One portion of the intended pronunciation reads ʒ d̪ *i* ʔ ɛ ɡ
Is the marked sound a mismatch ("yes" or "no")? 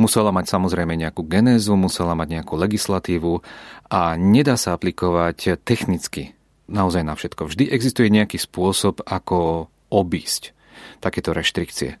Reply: no